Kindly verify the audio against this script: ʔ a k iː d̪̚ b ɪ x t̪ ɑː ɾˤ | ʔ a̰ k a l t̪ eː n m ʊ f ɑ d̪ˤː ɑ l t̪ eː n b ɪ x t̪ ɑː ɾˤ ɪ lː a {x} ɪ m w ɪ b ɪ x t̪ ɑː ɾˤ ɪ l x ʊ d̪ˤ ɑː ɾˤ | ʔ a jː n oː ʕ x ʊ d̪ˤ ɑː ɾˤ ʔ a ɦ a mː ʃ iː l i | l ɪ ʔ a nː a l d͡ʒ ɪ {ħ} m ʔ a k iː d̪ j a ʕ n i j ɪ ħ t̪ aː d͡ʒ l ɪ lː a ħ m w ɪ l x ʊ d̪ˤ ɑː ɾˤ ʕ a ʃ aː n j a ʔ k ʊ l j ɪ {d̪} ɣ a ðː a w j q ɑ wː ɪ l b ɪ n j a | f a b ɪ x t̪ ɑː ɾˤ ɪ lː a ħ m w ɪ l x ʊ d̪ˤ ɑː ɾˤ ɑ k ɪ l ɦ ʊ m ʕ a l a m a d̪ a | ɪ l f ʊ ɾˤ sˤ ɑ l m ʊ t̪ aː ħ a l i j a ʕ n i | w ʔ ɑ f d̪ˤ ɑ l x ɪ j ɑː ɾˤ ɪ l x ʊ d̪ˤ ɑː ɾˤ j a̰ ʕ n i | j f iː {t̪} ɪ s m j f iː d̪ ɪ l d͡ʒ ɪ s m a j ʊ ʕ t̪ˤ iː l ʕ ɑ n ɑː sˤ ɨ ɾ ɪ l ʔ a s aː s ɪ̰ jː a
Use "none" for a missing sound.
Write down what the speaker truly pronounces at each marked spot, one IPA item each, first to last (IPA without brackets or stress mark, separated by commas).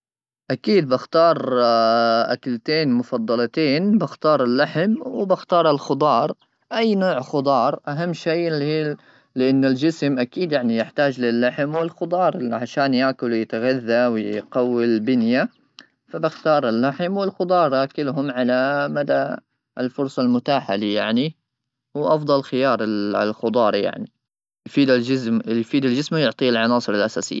ħ, s, t̪, d̪